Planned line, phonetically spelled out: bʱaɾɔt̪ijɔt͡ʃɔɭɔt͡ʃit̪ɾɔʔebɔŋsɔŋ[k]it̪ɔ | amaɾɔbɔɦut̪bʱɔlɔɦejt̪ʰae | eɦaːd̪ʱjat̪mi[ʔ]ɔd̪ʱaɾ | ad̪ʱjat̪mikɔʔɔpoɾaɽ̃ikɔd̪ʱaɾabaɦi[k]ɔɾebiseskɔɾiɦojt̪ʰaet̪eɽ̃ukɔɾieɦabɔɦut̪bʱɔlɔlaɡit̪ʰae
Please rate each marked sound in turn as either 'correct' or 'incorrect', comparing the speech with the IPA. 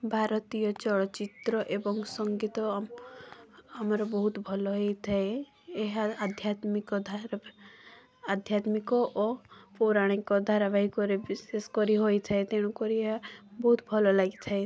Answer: incorrect, incorrect, correct

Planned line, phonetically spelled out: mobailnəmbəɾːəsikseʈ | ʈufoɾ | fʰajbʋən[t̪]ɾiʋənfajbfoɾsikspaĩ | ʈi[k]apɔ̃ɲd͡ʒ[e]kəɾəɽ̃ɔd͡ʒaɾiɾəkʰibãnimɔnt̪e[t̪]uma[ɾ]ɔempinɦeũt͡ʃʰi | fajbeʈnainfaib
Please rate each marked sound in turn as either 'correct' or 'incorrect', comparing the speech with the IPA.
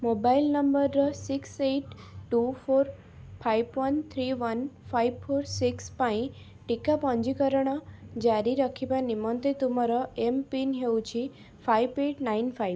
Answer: incorrect, correct, incorrect, correct, correct

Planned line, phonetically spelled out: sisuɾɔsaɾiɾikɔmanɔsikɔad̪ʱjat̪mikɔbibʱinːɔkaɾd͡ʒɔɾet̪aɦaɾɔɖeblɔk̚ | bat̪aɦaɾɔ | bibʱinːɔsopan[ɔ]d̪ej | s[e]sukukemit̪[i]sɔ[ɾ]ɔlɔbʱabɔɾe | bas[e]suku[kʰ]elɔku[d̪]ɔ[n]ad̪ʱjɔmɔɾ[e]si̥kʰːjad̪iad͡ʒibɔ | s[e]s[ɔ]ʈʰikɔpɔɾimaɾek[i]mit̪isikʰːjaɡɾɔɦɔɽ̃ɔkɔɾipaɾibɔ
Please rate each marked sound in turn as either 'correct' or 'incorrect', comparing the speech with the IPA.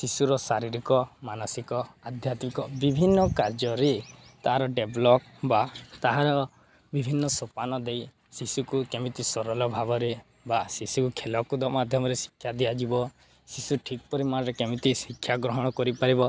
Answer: correct, incorrect, correct, correct, incorrect, correct, correct, incorrect, correct, incorrect, incorrect, incorrect

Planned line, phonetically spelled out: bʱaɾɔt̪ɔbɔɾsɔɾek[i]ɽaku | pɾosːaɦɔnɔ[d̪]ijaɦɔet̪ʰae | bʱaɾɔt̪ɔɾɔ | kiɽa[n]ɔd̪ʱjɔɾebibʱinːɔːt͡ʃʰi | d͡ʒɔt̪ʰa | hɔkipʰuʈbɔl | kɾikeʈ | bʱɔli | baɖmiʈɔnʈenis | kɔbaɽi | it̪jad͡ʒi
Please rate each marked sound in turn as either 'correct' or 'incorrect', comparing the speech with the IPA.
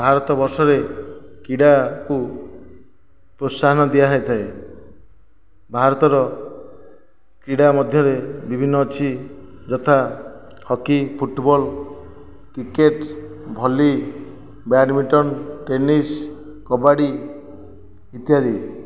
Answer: correct, correct, incorrect

